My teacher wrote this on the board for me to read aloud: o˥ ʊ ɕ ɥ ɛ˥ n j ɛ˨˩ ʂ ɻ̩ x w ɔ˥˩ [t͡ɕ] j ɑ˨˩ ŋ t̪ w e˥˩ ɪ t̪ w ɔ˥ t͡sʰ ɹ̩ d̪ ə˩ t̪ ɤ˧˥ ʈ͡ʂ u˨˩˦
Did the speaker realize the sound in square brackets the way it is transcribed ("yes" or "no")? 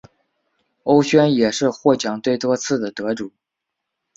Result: yes